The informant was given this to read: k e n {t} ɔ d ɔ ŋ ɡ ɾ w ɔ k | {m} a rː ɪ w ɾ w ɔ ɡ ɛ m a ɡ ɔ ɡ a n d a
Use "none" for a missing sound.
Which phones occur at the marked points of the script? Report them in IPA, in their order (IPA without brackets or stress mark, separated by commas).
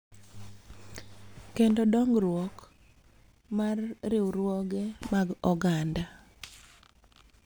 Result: d, m